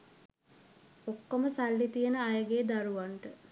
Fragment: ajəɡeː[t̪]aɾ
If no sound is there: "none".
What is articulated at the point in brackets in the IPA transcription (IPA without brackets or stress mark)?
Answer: d̪